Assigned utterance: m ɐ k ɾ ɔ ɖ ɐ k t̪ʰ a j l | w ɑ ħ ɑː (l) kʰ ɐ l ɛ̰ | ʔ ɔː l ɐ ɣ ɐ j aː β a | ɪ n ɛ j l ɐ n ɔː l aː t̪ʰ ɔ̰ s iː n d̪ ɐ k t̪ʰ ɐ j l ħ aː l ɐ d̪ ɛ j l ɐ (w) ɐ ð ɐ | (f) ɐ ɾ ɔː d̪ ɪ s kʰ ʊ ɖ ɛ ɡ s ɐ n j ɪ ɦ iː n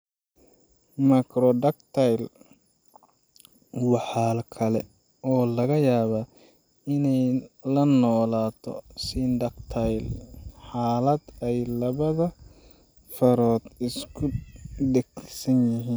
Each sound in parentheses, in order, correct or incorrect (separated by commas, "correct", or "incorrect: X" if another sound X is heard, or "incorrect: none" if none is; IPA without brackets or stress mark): correct, incorrect: β, correct